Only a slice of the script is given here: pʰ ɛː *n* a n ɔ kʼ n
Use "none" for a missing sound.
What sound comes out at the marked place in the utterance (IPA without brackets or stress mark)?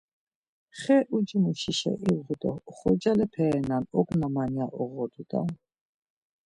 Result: n